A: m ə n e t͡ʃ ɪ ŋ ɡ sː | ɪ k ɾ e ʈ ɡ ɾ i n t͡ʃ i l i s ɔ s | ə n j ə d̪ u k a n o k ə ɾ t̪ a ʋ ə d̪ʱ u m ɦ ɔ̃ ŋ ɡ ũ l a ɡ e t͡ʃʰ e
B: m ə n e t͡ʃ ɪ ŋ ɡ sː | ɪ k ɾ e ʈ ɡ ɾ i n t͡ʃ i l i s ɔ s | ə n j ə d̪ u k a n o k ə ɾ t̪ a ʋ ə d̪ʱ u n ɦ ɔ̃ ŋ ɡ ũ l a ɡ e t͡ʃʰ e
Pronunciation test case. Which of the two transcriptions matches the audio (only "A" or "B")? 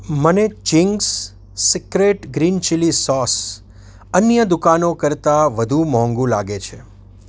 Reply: A